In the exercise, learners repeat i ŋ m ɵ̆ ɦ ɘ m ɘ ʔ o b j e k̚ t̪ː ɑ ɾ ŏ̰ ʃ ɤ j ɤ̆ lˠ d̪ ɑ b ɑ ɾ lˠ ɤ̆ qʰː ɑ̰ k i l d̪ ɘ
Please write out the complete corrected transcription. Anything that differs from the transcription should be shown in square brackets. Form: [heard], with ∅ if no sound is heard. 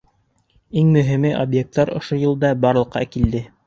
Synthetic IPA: i ŋ m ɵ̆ ɦ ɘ m ɘ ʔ o b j e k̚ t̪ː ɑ ɾ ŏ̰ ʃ [o] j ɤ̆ lˠ d̪ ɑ b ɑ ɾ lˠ ɤ̆ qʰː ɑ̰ k i l d̪ ɘ